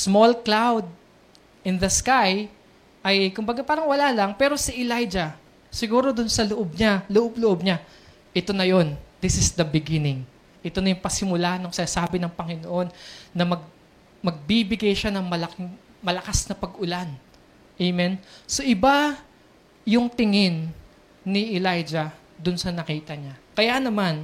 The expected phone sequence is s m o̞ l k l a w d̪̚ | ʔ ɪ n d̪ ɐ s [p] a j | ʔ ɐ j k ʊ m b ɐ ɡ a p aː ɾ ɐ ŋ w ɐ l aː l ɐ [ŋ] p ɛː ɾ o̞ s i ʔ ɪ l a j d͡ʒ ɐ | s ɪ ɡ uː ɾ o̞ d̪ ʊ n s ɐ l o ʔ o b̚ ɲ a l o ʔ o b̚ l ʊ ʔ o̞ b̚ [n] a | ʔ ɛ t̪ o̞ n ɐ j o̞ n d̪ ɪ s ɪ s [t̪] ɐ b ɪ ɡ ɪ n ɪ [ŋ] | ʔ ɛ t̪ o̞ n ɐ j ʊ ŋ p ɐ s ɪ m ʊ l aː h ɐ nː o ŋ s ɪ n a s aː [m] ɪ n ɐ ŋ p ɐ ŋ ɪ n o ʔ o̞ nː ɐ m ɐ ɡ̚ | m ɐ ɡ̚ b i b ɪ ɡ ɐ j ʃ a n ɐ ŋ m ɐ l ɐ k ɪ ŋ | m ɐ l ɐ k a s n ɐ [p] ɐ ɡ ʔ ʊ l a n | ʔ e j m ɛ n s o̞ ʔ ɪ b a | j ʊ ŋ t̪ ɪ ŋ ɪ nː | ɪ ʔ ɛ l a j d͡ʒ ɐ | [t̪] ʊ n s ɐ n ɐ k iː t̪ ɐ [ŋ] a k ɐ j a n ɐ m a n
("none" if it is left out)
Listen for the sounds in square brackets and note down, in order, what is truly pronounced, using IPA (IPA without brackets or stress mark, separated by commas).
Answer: k, ŋ, ɲ, d̪, ŋ, b, p, d̪, ɲ